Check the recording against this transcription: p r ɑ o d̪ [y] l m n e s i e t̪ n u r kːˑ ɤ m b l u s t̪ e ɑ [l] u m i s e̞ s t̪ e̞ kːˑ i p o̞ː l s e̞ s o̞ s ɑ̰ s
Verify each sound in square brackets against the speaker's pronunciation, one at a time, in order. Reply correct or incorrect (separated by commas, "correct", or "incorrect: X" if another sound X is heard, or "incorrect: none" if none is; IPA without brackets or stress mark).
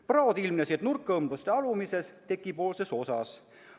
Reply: incorrect: i, correct